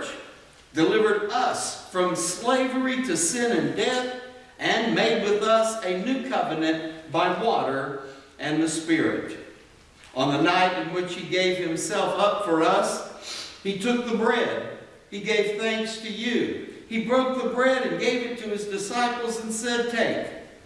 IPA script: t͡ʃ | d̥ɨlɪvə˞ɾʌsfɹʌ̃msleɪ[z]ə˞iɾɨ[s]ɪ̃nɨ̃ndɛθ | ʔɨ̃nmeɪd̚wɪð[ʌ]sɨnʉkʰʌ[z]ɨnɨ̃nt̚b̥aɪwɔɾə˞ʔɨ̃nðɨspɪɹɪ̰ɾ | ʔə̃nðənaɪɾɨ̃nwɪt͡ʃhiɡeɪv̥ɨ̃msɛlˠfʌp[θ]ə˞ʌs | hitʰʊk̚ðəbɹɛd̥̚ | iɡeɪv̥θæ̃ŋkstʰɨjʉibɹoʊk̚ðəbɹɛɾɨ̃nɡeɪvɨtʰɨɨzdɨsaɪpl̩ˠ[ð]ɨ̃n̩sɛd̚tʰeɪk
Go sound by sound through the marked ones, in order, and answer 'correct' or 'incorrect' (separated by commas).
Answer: incorrect, correct, correct, incorrect, incorrect, incorrect